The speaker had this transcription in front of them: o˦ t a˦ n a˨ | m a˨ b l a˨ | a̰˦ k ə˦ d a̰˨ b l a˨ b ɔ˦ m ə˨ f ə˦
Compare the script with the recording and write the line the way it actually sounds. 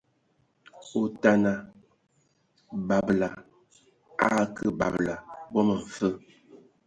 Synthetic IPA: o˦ t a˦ n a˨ | b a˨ b l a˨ | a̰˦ k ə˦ b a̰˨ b l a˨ b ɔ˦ m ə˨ f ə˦